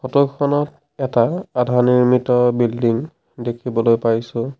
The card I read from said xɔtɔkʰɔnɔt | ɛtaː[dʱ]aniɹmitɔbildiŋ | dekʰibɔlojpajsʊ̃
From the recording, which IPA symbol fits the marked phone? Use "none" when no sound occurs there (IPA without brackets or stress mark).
dʱ